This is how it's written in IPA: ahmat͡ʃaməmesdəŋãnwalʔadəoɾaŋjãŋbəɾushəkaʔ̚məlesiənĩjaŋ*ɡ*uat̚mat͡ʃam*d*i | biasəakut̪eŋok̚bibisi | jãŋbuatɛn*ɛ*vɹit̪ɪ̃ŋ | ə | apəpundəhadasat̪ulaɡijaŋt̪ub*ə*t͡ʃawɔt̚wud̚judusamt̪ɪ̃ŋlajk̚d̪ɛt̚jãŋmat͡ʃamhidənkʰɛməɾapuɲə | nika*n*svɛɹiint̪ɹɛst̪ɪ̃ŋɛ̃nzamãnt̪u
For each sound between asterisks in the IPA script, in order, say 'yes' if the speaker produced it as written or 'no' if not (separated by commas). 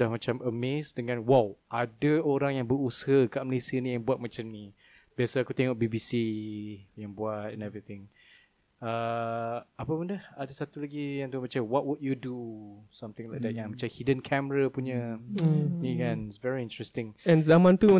no, no, yes, no, yes